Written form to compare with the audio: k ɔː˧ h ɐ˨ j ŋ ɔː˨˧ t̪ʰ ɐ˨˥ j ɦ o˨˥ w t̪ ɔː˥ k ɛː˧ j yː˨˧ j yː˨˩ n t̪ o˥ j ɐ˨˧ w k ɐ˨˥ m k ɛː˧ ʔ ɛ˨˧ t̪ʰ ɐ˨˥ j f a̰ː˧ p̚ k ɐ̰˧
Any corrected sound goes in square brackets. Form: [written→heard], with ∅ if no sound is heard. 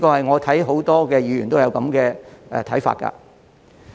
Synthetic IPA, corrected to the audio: k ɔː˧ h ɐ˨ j ŋ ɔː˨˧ t̪ʰ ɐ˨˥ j ɦ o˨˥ w t̪ ɔː˥ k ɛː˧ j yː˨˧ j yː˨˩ n t̪ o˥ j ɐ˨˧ w k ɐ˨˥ m k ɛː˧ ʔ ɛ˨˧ t̪ʰ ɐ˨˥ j f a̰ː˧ [p̚→t̚] k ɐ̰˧